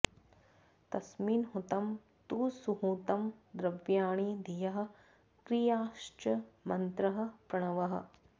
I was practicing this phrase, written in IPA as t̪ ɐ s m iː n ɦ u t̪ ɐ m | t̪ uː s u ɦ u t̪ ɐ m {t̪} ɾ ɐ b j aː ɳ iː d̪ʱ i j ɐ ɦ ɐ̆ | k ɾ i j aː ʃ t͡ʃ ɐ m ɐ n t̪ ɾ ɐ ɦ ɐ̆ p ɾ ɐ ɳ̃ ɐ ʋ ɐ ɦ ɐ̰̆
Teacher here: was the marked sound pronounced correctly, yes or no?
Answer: no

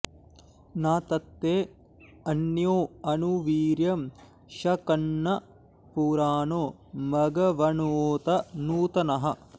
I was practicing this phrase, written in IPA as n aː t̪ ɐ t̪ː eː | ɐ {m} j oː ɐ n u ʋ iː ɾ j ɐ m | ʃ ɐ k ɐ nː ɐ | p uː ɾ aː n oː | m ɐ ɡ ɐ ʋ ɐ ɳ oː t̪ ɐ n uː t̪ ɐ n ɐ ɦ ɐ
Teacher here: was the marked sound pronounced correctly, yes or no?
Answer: no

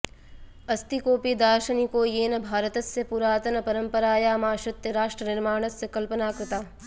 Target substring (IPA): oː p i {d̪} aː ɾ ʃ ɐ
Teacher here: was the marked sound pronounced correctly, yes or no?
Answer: yes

